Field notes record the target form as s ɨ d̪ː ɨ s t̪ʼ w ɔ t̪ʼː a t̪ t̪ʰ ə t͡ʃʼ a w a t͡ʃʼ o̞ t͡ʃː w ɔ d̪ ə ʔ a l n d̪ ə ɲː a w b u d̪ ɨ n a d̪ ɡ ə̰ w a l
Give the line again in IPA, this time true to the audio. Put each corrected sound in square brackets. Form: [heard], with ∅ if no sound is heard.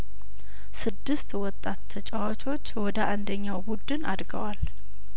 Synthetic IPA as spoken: s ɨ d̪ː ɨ s [t̪] w ɔ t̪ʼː a t̪ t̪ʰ ə t͡ʃʼ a w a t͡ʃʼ o̞ t͡ʃː w ɔ d̪ ə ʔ a [∅] n d̪ ə ɲː a w b u d̪ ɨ n a d̪ ɡ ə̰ w a l

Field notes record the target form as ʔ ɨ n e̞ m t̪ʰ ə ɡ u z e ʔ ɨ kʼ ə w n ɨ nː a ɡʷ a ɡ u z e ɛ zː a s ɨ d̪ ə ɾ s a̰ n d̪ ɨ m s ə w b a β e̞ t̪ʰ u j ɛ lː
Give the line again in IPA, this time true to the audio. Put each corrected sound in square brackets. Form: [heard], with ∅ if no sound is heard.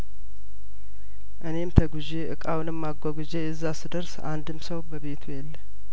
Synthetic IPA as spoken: ʔ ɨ n e̞ m t̪ʰ ə ɡ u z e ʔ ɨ kʼ [a] w n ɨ [mː] a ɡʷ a ɡ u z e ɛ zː a s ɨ d̪ ə ɾ s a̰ n d̪ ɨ m s ə w b [ə] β e̞ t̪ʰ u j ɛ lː

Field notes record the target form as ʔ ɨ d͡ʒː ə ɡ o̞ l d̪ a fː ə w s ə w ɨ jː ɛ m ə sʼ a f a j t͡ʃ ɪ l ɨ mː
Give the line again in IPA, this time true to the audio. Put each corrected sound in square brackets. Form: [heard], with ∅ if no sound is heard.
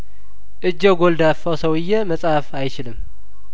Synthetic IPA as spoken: ʔ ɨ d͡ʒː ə ɡ o̞ l d̪ a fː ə w s ə w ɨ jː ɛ m ə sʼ a f a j t͡ʃ ɪ l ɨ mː

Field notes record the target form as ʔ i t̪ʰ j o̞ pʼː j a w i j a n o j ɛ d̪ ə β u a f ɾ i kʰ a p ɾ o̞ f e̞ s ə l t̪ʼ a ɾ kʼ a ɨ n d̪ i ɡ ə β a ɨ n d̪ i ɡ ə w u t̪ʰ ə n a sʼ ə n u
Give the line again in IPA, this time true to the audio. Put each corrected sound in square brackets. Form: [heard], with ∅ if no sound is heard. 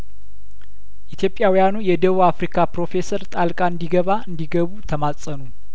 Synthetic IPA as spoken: ʔ i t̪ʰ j o̞ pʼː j a w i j a n [u] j ɛ d̪ ə β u a f ɾ i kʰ a p ɾ o̞ f e̞ s ə [ɾ] t̪ʼ a [l] kʼ a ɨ n d̪ i ɡ ə β a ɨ n d̪ i ɡ ə [β] u t̪ʰ ə [m] a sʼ ə n u

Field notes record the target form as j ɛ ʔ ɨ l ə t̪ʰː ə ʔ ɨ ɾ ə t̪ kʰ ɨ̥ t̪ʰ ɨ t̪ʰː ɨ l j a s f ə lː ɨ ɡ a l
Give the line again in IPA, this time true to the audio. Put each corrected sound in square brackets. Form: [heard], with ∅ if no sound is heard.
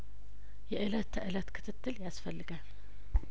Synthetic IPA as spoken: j ɛ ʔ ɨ l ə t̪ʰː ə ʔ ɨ [l] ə t̪ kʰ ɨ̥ t̪ʰ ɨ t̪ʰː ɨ l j a s f ə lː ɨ ɡ a l

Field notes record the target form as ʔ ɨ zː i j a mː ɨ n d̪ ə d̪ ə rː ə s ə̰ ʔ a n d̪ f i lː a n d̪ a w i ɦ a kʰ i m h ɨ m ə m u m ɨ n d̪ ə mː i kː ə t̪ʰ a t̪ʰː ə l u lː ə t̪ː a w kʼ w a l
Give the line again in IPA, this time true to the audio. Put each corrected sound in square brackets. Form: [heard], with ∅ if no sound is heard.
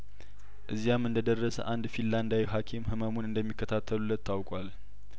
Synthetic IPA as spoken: ʔ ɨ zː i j a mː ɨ n d̪ ə d̪ ə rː ə s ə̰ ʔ a n d̪ f i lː a n d̪ a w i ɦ a kʰ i m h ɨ m ə m u [n] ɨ n d̪ ə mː i kː ə t̪ʰ a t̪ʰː ə l u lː ə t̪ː a w kʼ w a l

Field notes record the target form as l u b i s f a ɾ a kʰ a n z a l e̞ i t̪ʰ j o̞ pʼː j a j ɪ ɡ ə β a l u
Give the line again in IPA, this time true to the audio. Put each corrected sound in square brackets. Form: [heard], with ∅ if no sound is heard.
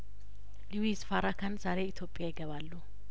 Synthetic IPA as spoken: l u [w] i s f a ɾ a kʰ a n z a [ɾ] e̞ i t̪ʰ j o̞ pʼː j a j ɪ ɡ ə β a [lː] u

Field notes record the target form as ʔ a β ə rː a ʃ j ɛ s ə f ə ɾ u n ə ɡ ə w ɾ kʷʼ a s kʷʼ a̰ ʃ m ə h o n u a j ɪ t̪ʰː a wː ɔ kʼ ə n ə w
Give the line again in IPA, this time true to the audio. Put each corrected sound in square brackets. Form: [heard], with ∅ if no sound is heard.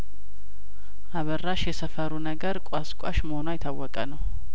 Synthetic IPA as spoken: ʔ a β ə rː a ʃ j ɛ s ə f ə ɾ u n ə ɡ ə [∅] ɾ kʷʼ a s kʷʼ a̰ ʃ m ə h o n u a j ɪ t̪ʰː a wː ɔ kʼ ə n ə w

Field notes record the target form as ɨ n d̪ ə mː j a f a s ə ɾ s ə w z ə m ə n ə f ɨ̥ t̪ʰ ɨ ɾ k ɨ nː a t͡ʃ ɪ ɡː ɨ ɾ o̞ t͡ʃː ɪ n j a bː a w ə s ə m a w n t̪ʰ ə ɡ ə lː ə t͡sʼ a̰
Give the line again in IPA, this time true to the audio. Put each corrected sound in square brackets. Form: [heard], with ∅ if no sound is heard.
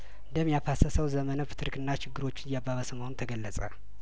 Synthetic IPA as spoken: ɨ n d̪ ə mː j a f a s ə [∅] s ə w z ə m ə n ə f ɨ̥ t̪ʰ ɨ ɾ k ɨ nː a t͡ʃ ɪ ɡː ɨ ɾ o̞ t͡ʃː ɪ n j a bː a [β] ə s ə m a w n t̪ʰ ə ɡ ə lː ə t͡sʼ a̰

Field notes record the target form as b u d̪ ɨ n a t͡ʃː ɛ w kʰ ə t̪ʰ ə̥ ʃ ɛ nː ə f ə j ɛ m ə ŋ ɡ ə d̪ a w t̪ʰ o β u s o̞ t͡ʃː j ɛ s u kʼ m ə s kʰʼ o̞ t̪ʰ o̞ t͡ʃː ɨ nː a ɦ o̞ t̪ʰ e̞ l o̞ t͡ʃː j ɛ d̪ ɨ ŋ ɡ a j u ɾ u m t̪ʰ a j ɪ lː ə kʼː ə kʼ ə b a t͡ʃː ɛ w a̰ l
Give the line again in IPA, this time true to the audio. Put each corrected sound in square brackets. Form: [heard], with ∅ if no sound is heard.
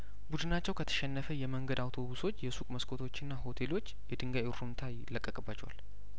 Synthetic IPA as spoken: b u d̪ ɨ n a t͡ʃː ɛ w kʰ ə t̪ʰ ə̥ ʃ ɛ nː ə f ə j ɛ m ə ŋ ɡ ə d̪ a w t̪ʰ o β u s o̞ t͡ʃː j ɛ s u kʼ m ə s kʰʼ o̞ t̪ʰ o̞ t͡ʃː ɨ nː a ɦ o̞ t̪ʰ e̞ l o̞ t͡ʃː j ɛ d̪ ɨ ŋ ɡ a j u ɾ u m t̪ʰ a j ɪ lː ə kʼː ə kʼ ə b a t͡ʃː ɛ w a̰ l

